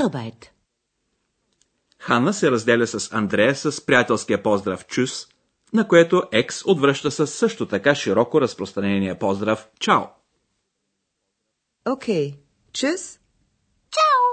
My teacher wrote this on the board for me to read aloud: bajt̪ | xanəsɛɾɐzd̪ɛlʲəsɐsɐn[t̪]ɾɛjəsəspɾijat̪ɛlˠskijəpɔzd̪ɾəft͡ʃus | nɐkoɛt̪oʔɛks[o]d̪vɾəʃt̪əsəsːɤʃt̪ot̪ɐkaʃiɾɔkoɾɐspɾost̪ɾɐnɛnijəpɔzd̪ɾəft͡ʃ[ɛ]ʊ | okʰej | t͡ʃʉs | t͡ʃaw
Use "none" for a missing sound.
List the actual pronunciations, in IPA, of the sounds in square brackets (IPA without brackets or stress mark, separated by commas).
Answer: d̪, o, a